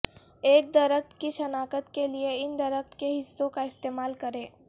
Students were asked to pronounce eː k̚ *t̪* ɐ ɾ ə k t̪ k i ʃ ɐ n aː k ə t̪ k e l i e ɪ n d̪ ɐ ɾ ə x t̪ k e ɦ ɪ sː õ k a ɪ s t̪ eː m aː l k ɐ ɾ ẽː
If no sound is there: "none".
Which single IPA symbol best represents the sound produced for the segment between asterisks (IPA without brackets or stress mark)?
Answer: d̪